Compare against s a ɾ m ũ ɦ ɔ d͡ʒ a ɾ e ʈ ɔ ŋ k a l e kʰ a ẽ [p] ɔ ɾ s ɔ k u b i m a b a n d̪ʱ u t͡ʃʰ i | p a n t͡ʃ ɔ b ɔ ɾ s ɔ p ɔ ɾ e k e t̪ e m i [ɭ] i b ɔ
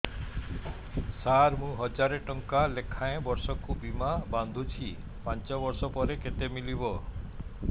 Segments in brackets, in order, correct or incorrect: incorrect, incorrect

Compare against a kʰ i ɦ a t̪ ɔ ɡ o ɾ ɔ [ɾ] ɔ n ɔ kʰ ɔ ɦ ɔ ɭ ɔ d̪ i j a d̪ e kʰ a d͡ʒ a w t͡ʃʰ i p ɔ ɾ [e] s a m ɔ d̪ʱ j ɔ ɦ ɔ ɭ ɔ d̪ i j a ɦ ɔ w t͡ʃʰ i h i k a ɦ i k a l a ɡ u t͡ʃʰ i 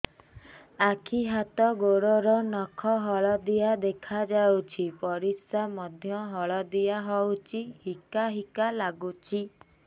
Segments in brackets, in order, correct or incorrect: correct, incorrect

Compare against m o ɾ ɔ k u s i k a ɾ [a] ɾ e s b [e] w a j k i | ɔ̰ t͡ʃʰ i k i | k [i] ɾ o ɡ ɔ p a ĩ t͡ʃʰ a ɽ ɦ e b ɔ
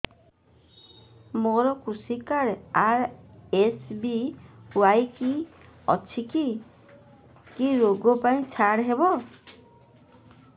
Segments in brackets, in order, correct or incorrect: correct, incorrect, correct

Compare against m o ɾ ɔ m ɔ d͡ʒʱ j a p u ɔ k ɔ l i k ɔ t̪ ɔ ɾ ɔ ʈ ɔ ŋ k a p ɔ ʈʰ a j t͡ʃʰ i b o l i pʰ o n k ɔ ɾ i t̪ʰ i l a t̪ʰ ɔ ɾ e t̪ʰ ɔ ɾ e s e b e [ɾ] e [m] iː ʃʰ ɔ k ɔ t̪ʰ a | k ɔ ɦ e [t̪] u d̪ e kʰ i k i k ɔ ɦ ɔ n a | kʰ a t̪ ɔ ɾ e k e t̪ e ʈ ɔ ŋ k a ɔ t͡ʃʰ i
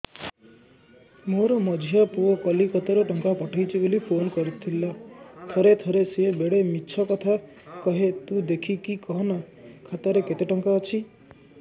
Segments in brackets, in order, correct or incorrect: incorrect, correct, correct

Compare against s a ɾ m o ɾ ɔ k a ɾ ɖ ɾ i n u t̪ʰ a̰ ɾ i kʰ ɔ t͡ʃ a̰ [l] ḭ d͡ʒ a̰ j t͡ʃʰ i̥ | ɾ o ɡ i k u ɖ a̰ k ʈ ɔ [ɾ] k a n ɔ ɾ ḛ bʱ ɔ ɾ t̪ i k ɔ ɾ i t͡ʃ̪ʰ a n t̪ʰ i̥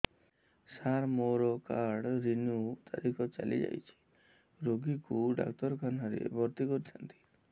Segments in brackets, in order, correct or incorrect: correct, correct

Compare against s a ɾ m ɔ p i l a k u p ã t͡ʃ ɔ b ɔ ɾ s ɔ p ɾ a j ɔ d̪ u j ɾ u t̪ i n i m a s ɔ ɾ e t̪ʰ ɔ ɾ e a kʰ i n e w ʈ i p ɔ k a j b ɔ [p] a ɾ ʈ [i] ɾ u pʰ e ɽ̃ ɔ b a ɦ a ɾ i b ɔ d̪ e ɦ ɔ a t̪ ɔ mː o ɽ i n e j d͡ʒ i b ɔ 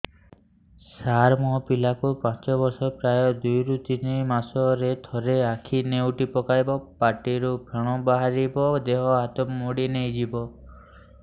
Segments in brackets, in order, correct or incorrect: correct, correct

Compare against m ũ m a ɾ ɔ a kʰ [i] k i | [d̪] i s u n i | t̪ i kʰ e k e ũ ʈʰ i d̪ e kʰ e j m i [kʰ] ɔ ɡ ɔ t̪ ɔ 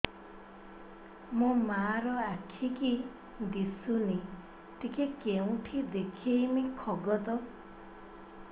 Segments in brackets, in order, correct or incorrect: correct, correct, correct

